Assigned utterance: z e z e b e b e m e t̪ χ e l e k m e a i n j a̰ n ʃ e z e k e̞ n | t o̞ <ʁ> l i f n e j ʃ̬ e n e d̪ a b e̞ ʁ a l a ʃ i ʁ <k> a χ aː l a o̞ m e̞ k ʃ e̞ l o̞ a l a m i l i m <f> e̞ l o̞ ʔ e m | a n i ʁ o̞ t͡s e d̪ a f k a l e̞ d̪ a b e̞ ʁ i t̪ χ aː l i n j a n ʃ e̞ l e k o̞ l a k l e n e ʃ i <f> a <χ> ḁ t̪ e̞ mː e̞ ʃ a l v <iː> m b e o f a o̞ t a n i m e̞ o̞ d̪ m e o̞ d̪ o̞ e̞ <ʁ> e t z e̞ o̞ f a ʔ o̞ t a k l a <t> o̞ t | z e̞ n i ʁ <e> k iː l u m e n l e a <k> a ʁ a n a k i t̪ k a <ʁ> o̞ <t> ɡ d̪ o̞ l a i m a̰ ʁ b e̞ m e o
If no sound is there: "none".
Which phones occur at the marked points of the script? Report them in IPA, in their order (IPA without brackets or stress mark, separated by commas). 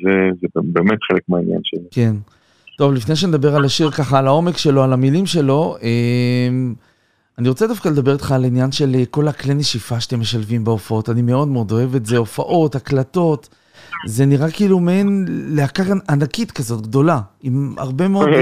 v, k, ʃ, f, ʃ, i, v, t, a, k, z, t